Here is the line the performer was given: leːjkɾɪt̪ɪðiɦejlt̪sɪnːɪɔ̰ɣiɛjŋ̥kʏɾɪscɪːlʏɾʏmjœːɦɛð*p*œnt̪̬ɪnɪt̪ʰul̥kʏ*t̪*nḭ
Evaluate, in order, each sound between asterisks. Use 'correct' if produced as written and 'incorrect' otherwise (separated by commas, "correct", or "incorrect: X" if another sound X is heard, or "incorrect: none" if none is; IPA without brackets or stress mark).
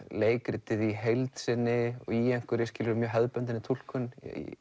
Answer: correct, incorrect: none